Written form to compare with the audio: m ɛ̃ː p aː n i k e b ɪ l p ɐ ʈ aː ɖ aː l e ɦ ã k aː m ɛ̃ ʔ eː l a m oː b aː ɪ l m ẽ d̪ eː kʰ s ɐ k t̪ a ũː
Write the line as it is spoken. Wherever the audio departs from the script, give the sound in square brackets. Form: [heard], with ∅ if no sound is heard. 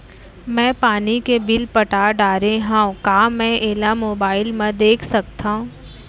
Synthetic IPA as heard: m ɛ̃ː p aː n i k e b ɪ l p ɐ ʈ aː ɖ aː [ɾ] e ɦ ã k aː m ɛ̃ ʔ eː l a m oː b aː ɪ l m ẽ d̪ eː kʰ s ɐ k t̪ a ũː